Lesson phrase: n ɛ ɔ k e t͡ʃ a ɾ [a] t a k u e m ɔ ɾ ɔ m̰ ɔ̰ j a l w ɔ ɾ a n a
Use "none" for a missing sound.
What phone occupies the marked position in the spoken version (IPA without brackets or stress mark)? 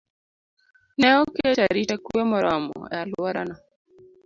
i